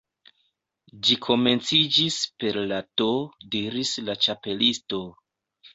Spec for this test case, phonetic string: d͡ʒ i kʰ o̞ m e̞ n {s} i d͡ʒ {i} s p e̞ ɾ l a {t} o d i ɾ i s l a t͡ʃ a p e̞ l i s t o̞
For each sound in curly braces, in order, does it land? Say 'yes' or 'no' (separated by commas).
no, yes, yes